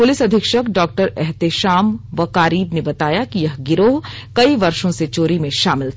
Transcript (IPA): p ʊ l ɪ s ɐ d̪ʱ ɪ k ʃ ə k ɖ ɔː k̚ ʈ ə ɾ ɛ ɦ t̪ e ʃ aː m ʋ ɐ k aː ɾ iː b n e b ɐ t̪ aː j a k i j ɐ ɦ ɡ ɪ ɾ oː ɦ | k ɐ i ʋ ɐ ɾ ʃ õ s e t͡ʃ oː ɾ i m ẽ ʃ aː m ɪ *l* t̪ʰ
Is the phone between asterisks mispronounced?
no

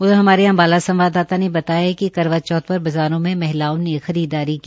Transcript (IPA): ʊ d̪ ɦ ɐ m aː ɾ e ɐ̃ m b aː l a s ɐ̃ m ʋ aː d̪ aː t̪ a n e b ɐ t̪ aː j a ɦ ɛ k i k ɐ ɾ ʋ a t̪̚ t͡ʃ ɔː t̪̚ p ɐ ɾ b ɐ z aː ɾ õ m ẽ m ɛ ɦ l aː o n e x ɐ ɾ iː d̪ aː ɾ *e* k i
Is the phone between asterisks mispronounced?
yes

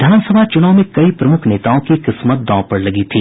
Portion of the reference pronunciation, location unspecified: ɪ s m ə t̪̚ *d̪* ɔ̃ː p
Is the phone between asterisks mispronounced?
no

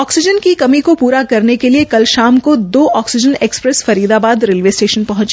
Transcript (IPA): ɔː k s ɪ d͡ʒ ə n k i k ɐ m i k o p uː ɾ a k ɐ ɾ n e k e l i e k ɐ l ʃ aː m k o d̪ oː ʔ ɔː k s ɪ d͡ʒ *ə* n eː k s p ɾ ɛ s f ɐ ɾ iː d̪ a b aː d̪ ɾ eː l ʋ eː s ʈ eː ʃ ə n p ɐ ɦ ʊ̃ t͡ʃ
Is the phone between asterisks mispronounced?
no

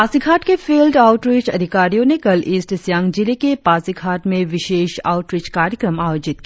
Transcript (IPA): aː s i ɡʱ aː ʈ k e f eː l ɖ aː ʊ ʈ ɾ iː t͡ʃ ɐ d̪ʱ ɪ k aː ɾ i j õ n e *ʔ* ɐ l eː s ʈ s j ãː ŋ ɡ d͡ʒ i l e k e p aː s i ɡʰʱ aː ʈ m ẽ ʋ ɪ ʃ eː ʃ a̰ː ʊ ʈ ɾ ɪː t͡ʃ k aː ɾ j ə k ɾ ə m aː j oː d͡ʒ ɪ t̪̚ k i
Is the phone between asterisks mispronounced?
yes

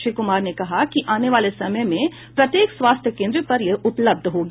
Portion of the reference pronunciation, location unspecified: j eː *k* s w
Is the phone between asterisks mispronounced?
no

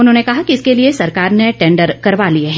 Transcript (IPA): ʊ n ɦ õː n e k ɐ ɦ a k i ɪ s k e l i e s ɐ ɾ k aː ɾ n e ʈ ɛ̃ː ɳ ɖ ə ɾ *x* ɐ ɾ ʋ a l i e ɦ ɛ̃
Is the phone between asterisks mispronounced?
yes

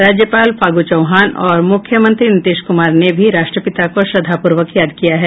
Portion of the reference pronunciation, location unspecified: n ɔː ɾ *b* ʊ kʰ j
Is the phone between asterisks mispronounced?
yes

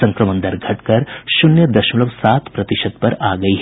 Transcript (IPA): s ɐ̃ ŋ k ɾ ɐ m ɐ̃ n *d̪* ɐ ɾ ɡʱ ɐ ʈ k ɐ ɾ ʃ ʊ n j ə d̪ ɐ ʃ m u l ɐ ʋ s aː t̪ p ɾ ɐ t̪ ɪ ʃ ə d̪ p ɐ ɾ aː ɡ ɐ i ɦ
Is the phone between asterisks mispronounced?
no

